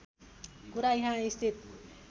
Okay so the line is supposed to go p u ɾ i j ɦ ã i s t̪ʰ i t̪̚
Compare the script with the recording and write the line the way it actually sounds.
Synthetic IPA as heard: k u ɾ a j ɦ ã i s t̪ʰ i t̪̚

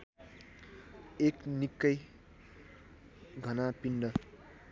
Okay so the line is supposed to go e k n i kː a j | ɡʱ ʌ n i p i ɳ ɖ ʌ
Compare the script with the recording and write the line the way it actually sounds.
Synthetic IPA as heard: e k n i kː ʌ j | ɡʱ ʌ n a p i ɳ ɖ ʌ

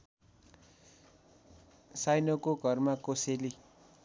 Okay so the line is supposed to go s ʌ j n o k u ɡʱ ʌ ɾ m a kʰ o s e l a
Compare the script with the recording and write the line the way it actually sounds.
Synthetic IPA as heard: s a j n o k o ɡʱ ʌ r m a k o s e l i

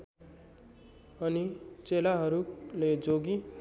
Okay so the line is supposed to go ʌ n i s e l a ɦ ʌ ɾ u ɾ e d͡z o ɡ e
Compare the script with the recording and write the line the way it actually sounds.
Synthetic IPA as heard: ʌ n i t͡s e l a ɦ ʌ ɾ u l e d͡z o ɡ i

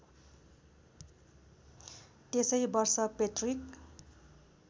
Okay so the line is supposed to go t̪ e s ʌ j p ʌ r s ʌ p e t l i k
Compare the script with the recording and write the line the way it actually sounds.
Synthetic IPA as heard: t̪ e s ʌ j b ʌ r s ʌ p e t r i k

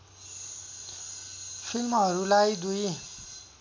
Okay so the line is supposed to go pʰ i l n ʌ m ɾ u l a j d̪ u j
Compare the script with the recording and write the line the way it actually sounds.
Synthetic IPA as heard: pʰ i l m ʌ ɾ u l a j d̪ u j

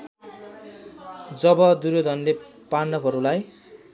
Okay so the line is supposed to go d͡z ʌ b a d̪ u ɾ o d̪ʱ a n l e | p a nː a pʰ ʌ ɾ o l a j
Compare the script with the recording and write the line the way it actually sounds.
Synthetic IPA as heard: d͡z ʌ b ʌ d̪ u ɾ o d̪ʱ ʌ n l e | p a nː ʌ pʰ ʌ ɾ u l a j

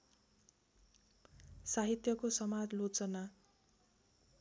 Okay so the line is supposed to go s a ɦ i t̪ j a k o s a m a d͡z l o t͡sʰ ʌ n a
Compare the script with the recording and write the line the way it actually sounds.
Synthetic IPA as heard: s a ɦ i t̪ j ʌ k o s ʌ m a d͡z l o t͡s ʌ n a

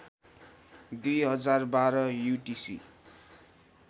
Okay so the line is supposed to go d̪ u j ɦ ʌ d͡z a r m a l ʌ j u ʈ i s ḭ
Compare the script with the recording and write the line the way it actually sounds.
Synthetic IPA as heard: d̪ u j ɦ ʌ d͡z a r b a ɾ ʌ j u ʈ i s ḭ

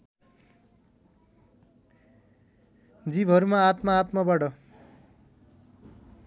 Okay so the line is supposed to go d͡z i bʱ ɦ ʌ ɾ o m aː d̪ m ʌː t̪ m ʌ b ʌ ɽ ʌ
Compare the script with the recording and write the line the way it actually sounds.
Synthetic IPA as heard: d͡z i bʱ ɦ ʌ ɾ u m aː t̪ m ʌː t̪ m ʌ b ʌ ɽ ʌ

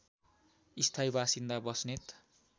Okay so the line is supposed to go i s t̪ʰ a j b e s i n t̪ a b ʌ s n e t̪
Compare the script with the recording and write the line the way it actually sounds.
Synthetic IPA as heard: i s t̪ʰ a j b a s i n d̪ a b ʌ s n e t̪

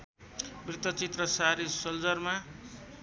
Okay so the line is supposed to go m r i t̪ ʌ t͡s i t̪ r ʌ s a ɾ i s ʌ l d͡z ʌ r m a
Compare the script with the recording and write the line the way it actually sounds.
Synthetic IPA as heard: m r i t̪ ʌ t͡s i t̪ r ʌ s a ɾ i s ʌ l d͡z ʌ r m a

